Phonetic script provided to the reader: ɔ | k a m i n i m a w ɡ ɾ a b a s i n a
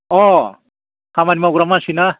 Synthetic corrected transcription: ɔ | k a m a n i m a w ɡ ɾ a m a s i n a